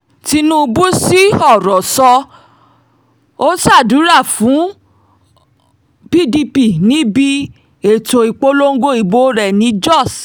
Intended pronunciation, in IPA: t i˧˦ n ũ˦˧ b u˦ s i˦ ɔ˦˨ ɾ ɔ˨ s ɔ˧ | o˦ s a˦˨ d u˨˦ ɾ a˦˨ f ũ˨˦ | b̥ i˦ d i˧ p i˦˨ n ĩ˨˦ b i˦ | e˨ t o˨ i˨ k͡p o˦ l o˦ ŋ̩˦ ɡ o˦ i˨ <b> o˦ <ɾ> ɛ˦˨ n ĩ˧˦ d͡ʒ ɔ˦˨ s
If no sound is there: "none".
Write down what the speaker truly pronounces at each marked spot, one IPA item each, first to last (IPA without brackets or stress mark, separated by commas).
b, ɾ